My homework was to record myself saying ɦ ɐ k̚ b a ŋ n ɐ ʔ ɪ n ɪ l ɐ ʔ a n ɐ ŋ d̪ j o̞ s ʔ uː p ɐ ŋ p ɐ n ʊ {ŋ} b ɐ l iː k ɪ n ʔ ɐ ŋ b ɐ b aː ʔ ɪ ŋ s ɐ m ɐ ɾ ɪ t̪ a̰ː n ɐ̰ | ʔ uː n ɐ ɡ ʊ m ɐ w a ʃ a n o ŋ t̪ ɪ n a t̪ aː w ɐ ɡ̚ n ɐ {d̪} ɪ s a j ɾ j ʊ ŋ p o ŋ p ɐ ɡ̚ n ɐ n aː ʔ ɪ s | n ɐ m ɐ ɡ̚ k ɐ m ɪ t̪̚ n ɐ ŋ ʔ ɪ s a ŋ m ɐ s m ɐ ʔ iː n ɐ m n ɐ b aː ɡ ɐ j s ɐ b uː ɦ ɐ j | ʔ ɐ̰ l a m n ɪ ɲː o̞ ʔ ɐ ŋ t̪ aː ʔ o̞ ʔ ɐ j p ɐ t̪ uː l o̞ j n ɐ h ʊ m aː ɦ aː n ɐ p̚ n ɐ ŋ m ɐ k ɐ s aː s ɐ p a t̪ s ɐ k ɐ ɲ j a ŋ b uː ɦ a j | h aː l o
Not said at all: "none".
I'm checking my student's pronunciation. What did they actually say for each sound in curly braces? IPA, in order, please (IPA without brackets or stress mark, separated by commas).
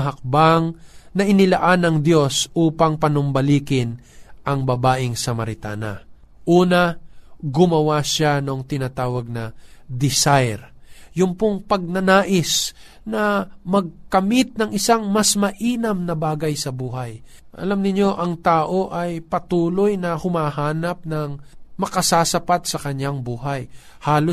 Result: m, d̪